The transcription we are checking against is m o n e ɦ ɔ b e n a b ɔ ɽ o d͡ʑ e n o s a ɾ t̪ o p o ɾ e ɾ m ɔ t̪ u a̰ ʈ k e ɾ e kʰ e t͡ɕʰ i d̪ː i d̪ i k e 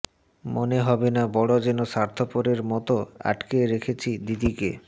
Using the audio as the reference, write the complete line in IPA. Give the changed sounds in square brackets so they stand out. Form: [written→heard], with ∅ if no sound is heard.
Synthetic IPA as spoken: m o n e ɦ ɔ b e n a b ɔ ɽ o d͡ʑ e n o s a ɾ [t̪→t̪ʰ] o p o ɾ e ɾ m ɔ t̪ [u→o] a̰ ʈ k e ɾ e kʰ e t͡ɕʰ i [d̪ː→d̪] i d̪ i k e